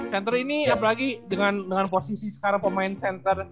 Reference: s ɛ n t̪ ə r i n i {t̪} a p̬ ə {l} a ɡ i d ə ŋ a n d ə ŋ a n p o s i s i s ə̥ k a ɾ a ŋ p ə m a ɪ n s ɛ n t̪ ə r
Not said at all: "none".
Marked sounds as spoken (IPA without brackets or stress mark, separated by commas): none, l